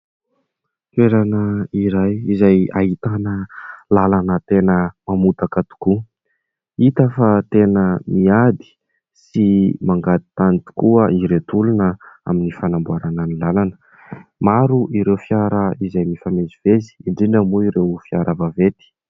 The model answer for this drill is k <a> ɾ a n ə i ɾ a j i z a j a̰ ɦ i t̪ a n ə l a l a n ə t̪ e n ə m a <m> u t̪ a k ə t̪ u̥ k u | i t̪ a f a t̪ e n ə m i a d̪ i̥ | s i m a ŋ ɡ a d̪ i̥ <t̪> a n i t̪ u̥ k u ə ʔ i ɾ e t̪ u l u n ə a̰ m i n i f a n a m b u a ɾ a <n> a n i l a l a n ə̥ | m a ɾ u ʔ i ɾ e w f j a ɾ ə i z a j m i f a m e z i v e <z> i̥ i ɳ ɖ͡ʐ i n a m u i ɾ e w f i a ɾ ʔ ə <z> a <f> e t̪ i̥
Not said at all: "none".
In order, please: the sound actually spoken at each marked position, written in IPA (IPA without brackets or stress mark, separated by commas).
e, m, t̪, n, z, v, v